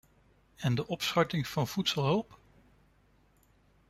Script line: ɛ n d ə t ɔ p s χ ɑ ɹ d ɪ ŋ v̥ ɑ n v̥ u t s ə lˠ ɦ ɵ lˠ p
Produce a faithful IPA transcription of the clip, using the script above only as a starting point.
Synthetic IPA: ɛ n d ə ʔ ɔ p s χ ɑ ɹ t ɪ ŋ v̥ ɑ n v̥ u t s ə lˠ ɦ ɵ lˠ p